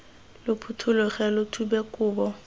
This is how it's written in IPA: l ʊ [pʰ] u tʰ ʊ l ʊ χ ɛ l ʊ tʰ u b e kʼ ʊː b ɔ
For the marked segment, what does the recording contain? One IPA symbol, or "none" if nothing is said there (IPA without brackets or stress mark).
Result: pʰ